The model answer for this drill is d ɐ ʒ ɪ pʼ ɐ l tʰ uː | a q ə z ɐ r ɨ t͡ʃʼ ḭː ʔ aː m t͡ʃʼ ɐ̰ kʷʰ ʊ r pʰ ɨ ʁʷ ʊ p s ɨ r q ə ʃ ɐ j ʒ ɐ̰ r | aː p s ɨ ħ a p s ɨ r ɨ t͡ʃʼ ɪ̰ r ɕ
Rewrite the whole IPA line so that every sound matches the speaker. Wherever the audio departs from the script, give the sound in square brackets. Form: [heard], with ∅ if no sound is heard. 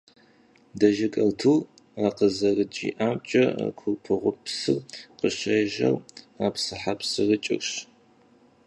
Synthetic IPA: d ɐ ʒ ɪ [kʼ] ɐ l tʰ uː | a q ə z ɐ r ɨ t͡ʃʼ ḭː ʔ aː m t͡ʃʼ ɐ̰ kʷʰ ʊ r pʰ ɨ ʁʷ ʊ p s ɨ r q ə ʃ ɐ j ʒ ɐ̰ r | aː p s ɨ ħ a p s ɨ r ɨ t͡ʃʼ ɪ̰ r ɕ